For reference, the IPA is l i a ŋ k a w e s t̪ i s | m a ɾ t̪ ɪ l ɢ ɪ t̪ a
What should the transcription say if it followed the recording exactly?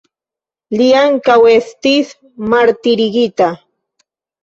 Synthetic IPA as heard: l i a ŋ k a w e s t̪ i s | m a ɾ t̪ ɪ ɾ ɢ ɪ t̪ a